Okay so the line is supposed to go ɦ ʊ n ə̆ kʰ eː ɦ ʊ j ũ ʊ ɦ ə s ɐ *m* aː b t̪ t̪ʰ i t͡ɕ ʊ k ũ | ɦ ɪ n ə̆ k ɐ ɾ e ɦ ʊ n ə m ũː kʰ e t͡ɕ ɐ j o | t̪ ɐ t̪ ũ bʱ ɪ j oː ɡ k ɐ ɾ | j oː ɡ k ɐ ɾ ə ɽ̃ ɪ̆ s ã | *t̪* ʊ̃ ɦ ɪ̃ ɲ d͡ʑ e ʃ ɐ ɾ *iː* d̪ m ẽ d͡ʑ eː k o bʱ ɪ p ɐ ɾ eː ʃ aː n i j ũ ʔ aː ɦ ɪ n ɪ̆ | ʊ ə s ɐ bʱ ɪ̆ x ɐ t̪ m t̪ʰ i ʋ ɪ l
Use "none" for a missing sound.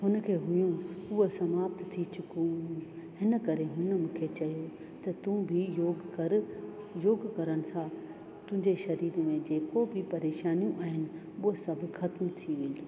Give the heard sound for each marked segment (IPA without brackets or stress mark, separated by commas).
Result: m, t̪, iː